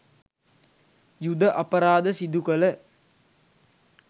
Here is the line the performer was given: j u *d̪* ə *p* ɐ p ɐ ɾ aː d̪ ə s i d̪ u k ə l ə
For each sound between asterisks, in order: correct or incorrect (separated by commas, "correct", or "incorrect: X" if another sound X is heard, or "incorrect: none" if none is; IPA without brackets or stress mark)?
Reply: correct, incorrect: ʔ